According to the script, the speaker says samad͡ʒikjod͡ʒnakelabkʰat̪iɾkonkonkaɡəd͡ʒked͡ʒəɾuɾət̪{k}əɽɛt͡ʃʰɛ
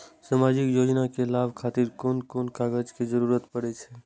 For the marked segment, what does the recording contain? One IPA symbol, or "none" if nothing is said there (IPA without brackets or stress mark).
p